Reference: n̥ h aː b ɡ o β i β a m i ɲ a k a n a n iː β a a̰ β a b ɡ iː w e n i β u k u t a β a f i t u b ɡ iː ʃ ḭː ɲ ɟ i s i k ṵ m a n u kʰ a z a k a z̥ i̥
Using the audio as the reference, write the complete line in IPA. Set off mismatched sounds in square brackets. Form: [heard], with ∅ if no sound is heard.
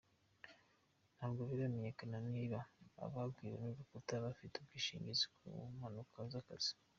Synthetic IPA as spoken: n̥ h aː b ɡ o β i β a m [e] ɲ [e] k a n a n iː β a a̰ β a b ɡ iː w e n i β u k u t a β a f i t u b ɡ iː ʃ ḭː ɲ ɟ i [z] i k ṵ m a n u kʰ a z a k a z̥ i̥